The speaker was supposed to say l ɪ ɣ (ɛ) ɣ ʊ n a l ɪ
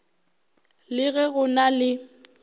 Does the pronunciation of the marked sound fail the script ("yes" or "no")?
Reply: no